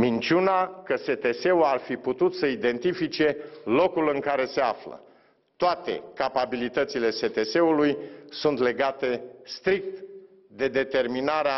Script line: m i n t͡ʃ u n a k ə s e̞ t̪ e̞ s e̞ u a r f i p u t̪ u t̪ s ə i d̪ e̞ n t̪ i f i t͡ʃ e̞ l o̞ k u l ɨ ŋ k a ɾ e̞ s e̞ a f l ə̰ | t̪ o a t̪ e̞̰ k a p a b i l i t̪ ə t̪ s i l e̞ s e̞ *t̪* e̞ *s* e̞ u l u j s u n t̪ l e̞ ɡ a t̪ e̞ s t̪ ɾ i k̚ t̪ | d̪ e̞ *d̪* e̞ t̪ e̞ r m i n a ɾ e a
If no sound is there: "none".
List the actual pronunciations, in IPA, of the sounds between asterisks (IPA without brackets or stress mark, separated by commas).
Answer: t̪, s, d̪